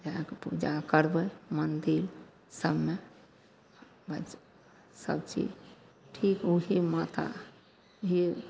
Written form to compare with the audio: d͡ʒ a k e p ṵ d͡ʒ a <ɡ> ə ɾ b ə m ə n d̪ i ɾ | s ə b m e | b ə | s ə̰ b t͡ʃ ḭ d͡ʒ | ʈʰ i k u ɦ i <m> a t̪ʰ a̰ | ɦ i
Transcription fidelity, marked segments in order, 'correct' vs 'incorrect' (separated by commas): incorrect, correct